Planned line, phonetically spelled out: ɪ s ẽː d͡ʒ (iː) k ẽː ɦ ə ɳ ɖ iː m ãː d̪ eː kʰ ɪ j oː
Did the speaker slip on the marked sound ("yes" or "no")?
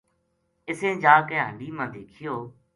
yes